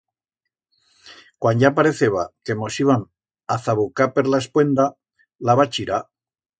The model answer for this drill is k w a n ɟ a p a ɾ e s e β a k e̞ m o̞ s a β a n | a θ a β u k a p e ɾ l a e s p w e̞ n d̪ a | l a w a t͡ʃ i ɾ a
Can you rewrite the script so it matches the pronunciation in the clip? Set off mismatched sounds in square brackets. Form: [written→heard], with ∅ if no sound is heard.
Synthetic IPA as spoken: k w a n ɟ a p a ɾ e [s→θ] e β a k e̞ m o̞ s [a→i] β a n | a θ a β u k a p e ɾ l a e s p w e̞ n d̪ a | l a [w→β] a t͡ʃ i ɾ a